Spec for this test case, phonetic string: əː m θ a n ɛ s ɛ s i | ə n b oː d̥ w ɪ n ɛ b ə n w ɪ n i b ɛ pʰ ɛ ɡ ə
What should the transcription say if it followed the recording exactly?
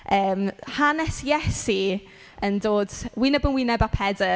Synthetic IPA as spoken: əː m h a n ɛ s ɛ s i | ə n d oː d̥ w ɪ n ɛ b ə n w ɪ n ɛ b a pʰ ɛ d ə